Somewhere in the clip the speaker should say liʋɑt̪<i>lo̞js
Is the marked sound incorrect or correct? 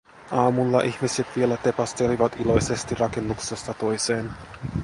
correct